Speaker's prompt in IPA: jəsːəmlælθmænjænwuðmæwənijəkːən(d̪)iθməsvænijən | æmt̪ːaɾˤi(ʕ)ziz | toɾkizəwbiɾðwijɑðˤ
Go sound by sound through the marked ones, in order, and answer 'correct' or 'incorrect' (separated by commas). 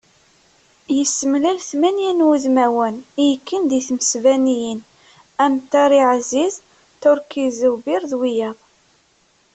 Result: correct, correct